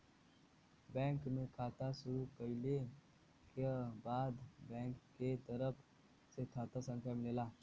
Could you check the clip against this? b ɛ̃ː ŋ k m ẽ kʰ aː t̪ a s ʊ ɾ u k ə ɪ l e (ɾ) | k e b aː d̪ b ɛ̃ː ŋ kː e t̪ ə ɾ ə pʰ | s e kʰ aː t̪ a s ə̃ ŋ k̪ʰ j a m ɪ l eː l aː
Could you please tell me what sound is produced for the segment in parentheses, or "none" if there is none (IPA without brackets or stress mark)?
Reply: none